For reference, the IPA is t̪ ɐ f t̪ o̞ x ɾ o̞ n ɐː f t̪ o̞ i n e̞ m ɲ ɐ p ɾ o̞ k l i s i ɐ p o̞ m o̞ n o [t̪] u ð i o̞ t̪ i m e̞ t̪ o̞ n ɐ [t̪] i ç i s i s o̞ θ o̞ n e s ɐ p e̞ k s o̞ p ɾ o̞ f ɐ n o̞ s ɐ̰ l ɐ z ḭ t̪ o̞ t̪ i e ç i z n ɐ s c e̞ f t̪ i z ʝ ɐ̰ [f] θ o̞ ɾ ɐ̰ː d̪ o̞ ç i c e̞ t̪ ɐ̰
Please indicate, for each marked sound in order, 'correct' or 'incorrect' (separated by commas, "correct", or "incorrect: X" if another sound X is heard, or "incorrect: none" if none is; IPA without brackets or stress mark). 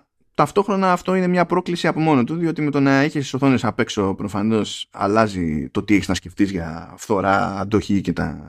correct, incorrect: none, correct